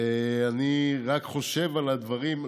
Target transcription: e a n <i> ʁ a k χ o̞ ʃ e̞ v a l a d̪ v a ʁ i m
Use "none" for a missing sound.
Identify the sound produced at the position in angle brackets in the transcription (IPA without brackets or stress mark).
i